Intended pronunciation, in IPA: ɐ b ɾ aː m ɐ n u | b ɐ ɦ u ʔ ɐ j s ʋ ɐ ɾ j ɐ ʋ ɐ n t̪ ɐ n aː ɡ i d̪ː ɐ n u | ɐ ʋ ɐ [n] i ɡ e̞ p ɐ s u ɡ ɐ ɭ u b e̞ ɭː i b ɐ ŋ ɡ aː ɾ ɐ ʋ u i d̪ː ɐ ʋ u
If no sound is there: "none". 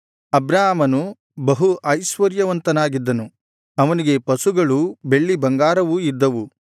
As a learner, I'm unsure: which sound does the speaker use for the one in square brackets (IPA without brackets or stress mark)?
n